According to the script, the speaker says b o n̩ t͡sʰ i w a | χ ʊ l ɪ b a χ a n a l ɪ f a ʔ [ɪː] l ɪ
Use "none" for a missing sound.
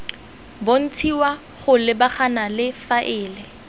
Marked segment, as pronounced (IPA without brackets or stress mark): ɪː